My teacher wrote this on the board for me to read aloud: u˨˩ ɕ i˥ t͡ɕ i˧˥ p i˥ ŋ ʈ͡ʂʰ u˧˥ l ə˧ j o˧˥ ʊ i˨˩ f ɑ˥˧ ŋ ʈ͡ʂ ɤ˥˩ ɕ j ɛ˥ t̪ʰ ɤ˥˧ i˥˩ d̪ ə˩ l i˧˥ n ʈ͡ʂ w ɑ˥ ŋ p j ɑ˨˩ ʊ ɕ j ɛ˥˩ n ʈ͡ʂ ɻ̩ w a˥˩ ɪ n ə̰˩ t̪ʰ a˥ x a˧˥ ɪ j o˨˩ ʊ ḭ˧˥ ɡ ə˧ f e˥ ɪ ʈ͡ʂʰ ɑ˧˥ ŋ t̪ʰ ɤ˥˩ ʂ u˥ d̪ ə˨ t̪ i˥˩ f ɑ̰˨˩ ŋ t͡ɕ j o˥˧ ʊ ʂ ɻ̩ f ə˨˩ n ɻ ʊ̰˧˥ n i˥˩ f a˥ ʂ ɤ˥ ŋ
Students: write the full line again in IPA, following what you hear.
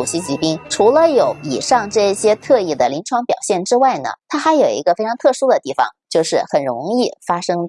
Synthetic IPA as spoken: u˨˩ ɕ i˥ t͡ɕ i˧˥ p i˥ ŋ ʈ͡ʂʰ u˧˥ l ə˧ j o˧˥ ʊ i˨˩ ʂ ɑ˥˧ ŋ ʈ͡ʂ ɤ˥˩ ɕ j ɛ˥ t̪ʰ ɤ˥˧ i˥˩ d̪ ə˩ l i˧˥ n ʈ͡ʂʰ w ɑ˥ ŋ p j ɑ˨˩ ʊ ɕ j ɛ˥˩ n ʈ͡ʂ ɻ̩ w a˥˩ ɪ n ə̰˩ t̪ʰ a˥ x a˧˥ ɪ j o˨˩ ʊ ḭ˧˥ ɡ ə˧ f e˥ ɪ ʈ͡ʂʰ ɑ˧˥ ŋ t̪ʰ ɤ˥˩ ʂ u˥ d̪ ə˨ t̪ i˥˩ f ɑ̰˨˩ ŋ t͡ɕ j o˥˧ ʊ ʂ ɻ̩ x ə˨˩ n ɻ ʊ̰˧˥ ŋ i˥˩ f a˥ ʂ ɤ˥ ŋ